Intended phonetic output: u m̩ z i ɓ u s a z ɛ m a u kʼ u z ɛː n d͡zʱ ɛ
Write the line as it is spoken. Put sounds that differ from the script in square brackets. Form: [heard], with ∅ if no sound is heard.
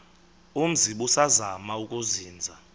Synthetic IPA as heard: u m̩ z i ɓ u s a z [a] m a u kʼ u z [iː] n d͡zʱ [a]